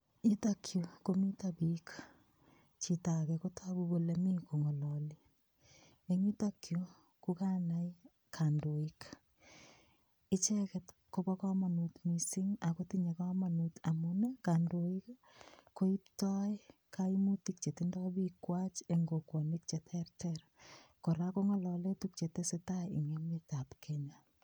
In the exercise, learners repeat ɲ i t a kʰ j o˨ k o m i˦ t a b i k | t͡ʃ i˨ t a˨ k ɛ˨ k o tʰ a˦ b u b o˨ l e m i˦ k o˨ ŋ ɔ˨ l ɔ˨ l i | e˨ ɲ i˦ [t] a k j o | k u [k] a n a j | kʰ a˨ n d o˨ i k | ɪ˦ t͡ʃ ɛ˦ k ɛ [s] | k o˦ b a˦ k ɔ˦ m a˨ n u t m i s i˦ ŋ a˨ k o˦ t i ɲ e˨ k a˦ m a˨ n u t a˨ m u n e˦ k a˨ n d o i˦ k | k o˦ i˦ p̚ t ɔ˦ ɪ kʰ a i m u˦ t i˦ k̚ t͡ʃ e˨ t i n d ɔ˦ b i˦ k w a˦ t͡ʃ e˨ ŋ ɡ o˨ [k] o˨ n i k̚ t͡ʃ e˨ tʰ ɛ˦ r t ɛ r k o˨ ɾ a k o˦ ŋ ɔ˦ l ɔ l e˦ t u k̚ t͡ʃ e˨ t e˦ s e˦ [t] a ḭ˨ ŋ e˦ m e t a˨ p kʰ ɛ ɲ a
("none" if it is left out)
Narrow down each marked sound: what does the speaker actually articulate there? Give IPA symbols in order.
t, k, t, k, t

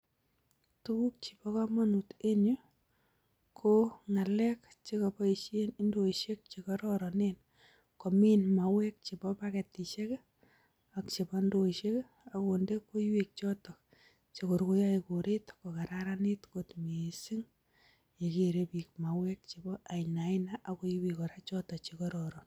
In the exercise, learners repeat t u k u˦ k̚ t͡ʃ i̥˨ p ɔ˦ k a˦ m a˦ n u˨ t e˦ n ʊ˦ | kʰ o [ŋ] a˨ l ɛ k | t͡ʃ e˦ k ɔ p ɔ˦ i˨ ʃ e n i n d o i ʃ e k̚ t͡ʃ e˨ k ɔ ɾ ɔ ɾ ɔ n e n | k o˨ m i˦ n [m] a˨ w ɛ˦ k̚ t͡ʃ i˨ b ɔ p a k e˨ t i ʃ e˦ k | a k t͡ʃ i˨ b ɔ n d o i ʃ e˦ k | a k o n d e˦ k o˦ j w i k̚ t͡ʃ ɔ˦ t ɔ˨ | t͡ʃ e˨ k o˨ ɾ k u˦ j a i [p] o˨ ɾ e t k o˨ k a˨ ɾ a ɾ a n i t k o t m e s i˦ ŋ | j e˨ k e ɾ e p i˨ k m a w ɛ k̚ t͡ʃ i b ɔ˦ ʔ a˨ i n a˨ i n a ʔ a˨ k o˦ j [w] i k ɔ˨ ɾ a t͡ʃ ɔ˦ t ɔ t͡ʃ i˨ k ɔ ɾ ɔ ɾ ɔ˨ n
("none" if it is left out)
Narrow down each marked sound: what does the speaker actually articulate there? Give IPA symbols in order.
ŋ, m, k, w

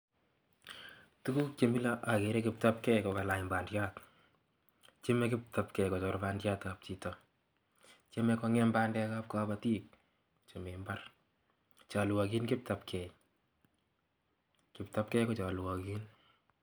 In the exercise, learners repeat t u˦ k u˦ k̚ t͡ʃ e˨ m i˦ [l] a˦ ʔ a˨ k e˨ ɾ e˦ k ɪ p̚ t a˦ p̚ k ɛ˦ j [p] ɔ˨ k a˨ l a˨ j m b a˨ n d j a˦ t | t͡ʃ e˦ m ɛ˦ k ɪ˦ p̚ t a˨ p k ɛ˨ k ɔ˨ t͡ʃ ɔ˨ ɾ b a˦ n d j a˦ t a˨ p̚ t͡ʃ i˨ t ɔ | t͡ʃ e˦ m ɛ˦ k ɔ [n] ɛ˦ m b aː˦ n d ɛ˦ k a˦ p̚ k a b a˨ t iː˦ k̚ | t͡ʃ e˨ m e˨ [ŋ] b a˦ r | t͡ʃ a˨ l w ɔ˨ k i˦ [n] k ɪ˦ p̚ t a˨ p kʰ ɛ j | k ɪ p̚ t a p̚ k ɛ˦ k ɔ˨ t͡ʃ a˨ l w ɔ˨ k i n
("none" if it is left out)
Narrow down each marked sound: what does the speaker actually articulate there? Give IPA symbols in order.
l, k, ŋ, m, n

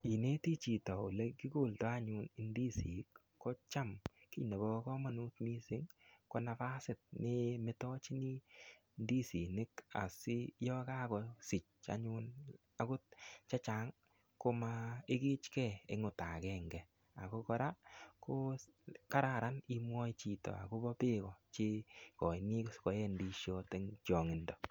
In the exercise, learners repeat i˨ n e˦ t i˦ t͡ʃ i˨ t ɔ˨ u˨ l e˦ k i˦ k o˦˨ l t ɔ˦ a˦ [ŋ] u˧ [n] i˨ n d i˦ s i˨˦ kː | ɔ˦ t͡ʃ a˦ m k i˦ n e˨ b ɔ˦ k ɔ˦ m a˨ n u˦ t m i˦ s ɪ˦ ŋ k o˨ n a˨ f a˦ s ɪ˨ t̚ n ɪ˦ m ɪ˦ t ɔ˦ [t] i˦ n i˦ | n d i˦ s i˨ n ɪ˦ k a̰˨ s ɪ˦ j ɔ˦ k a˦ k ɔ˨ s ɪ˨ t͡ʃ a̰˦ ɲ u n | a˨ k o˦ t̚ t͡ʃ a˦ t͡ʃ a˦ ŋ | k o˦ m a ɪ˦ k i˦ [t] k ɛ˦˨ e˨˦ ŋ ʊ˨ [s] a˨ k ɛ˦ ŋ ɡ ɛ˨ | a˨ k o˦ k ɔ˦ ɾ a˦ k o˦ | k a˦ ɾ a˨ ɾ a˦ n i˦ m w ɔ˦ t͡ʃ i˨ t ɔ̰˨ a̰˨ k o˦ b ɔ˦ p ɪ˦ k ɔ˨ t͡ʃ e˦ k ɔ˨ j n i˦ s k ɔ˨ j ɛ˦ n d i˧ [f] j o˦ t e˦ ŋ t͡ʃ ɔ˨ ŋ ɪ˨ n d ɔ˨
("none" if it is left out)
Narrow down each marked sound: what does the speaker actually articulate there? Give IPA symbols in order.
ɲ, n, t͡ʃ, t͡ʃ, t, ʃ

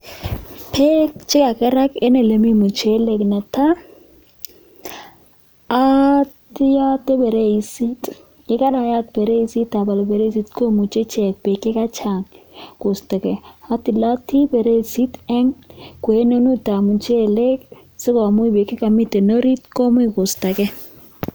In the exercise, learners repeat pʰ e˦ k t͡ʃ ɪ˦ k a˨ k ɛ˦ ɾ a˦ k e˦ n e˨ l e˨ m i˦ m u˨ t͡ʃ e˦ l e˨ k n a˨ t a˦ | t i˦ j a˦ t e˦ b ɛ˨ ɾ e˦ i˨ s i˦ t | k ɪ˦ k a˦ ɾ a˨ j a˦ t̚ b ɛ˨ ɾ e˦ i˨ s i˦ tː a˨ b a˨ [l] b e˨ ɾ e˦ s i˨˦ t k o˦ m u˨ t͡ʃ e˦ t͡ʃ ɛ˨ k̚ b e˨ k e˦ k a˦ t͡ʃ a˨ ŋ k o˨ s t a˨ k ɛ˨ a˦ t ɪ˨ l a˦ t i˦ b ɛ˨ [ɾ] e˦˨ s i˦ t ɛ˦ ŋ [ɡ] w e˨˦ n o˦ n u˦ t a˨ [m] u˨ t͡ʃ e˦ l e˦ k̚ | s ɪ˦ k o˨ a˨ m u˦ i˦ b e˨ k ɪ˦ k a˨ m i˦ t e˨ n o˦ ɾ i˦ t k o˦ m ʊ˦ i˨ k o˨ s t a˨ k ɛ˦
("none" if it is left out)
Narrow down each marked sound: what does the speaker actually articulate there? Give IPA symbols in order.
l, ɾ, k, m

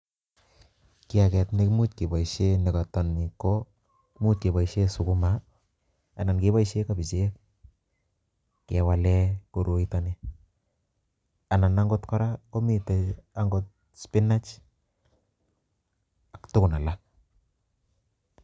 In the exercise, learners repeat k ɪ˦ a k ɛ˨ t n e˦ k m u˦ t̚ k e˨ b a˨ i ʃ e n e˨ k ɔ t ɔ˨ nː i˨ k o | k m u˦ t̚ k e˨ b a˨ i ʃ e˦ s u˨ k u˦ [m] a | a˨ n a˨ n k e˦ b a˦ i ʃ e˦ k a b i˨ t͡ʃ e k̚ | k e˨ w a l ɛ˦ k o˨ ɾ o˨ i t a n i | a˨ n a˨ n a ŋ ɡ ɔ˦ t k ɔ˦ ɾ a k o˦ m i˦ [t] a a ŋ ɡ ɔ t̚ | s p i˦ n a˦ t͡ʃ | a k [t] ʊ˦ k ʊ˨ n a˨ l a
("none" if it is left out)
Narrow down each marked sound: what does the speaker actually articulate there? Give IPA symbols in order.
m, t, t

